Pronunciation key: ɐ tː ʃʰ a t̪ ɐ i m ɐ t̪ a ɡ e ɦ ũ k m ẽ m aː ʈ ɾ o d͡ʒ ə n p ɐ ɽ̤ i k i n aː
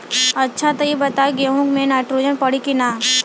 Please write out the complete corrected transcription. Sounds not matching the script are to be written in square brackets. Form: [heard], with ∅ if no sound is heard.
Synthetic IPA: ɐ tː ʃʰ a t̪ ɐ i [b] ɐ t̪ a ɡ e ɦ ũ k m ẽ [n] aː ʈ ɾ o d͡ʒ ə n p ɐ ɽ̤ i k i n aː